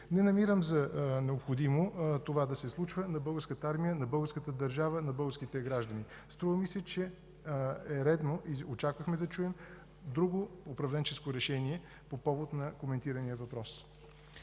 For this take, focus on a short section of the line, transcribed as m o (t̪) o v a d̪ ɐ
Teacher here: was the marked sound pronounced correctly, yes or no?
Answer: yes